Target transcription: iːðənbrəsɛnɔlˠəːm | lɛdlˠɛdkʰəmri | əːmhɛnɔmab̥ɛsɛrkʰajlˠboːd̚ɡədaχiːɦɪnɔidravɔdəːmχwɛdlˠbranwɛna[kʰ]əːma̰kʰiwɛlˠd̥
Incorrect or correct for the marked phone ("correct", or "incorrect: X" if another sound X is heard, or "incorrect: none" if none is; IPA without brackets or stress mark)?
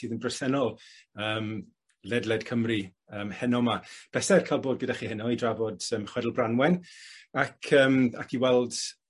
correct